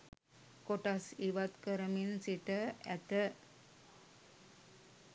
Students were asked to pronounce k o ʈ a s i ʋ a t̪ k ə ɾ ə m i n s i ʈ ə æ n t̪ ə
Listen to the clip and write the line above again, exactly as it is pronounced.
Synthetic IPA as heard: k o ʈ a s i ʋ a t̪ k ə ɾ ə m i n s i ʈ ə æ t̪ ə